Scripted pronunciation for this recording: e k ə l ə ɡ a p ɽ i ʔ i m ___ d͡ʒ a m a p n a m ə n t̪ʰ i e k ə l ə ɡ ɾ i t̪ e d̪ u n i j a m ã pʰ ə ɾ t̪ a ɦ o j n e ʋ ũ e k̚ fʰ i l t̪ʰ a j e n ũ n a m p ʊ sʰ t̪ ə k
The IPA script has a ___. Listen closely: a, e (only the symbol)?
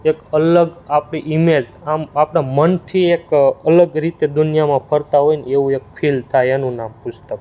e